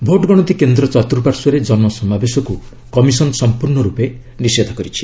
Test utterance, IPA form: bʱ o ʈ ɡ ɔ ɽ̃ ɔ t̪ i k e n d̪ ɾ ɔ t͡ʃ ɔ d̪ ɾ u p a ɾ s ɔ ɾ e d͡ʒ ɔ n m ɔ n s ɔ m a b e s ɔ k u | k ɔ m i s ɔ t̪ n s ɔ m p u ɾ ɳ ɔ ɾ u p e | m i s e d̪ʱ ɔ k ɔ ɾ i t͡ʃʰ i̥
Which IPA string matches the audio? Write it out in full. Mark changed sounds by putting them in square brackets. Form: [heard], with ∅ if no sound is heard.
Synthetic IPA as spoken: bʱ o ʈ ɡ ɔ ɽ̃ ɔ t̪ i k e n d̪ ɾ ɔ t͡ʃ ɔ [t̪] ɾ u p a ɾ s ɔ ɾ e d͡ʒ ɔ n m ɔ [∅] s ɔ m a b e s ɔ k u | k ɔ m i s ɔ [∅] n s ɔ m p u ɾ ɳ ɔ ɾ u p e | [n] i s e d̪ʱ ɔ k ɔ ɾ i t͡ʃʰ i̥